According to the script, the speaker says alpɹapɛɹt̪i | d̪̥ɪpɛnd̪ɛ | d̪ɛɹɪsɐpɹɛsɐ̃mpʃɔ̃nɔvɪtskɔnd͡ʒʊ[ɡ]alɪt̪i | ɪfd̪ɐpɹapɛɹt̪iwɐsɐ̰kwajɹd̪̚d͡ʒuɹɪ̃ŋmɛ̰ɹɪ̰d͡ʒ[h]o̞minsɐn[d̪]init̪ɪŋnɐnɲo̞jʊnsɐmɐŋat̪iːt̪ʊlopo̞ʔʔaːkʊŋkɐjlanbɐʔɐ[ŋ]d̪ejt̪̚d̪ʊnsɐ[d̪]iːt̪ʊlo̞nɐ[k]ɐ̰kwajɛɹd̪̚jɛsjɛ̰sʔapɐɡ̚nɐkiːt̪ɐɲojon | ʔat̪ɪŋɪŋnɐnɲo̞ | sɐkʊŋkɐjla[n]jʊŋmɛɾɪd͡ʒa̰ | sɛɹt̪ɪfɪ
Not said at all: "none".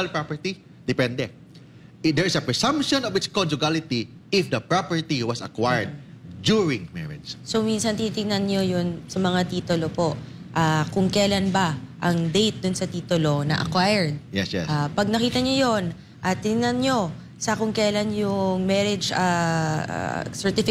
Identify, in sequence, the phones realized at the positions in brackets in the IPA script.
ɡ, s, t̪, ŋ, t̪, ʔ, n

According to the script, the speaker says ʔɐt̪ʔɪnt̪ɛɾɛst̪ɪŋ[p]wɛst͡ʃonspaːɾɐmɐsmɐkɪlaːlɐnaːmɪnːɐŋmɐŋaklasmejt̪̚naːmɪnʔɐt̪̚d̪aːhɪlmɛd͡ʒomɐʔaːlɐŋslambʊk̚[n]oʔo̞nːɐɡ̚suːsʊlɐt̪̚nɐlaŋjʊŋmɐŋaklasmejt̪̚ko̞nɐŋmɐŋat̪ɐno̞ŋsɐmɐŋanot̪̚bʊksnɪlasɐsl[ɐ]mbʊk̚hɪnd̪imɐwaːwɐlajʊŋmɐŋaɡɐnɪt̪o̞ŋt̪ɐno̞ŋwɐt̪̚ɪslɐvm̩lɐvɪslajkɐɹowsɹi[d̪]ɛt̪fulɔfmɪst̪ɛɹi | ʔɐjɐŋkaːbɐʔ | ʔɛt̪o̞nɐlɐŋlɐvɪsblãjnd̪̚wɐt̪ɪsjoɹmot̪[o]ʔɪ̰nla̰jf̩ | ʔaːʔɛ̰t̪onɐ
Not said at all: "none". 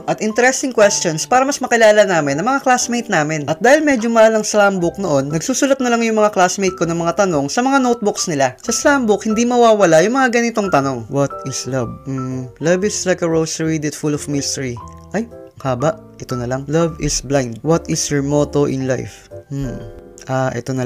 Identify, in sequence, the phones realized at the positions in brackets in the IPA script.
k, n, a, d̪, o

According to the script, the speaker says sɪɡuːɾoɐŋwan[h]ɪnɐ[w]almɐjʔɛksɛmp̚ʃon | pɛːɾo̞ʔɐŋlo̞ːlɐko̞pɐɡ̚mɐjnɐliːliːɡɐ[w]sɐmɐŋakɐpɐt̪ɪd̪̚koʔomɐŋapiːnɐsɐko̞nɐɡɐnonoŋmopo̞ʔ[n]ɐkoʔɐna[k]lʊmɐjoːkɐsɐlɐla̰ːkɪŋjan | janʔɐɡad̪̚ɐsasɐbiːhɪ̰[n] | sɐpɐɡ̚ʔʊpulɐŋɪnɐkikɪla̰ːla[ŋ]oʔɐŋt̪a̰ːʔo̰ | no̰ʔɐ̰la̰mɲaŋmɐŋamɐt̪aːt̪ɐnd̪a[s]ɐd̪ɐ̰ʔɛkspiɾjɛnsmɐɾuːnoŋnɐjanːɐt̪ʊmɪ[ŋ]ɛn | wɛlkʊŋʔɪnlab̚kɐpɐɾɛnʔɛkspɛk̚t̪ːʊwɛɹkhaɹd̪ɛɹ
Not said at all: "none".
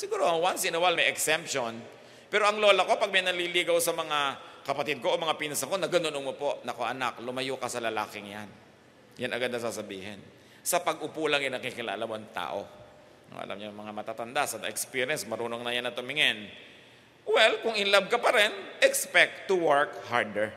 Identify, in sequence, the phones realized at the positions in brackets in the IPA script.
s, w, w, n, k, n, m, s, ŋ

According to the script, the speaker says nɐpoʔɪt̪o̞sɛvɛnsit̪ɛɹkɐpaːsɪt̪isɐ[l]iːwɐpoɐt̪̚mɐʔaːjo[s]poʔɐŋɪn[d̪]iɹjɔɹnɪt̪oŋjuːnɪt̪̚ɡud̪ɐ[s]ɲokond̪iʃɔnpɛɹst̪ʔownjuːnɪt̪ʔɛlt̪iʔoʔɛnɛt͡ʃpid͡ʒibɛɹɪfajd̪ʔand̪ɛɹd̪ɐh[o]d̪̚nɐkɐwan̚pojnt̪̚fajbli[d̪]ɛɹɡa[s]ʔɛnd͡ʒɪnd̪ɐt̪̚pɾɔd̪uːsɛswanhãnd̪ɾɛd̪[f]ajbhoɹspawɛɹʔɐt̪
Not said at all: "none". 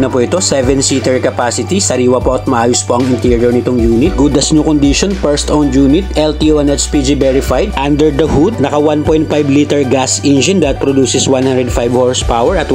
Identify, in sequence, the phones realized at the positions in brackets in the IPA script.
ɾ, s, t̪, s, u, t̪, s, f

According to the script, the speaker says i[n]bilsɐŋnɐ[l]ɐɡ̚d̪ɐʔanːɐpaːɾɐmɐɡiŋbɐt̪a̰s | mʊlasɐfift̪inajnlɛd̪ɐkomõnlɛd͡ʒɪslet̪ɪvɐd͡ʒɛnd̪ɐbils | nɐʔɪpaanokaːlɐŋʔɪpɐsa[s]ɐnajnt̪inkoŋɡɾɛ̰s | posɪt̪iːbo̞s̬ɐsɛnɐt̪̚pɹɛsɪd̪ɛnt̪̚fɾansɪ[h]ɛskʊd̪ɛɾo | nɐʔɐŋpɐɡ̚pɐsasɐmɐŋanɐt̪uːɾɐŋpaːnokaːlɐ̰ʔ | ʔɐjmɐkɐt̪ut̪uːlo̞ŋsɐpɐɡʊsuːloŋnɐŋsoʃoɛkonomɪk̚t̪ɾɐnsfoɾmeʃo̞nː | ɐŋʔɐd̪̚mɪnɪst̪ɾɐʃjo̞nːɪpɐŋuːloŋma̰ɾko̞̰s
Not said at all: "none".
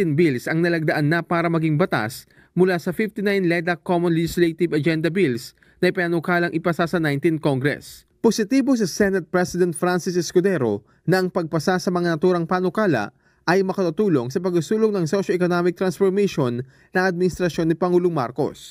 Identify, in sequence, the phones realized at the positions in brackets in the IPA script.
n, l, s, s

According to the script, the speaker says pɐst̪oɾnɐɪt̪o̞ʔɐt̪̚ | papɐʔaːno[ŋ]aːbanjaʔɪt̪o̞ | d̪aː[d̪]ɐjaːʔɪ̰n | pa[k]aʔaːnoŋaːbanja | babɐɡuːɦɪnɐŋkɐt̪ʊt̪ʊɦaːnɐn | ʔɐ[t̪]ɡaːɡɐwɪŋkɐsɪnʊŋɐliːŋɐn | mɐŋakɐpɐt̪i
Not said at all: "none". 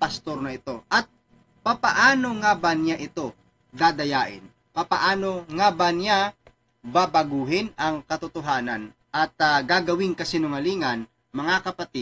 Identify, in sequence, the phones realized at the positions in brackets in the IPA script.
ŋ, d̪, p, t̪

